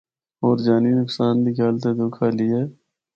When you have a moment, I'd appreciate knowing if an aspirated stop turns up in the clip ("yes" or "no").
yes